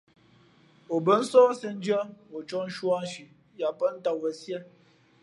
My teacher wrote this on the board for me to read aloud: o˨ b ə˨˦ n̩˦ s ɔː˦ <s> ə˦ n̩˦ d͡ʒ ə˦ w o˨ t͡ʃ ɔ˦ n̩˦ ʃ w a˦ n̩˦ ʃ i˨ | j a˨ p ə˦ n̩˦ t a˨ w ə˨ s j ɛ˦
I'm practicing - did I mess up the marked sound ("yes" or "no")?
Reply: no